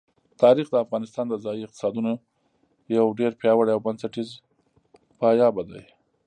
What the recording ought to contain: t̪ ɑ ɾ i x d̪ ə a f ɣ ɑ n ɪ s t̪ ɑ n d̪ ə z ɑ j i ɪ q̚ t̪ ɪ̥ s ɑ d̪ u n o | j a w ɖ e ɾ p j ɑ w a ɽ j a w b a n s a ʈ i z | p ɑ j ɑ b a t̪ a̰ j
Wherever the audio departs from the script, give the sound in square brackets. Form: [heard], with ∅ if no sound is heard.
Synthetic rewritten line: t̪ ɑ ɾ i x d̪ ə a f ɣ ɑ n ɪ s t̪ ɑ n d̪ ə z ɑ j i ɪ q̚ t̪ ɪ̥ s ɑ d̪ u n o | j a w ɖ e ɾ p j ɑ w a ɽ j a w b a n s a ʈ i z | p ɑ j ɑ b a [d̪] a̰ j